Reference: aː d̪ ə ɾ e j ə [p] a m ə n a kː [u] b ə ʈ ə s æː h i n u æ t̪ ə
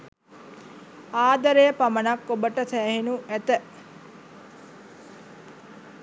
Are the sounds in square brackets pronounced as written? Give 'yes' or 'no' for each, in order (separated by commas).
yes, no